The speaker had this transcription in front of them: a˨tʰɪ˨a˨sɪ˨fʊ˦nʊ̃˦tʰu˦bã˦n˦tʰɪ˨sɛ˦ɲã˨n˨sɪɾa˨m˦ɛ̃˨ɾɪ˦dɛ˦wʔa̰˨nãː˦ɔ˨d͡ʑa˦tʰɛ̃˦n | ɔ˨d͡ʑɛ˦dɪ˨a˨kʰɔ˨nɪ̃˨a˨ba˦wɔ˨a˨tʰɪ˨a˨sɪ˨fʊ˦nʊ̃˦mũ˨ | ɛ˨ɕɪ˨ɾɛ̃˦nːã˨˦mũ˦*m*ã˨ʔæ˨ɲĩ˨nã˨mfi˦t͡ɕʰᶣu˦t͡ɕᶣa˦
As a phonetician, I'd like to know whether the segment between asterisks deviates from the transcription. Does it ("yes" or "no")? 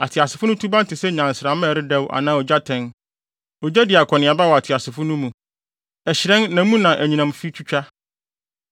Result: yes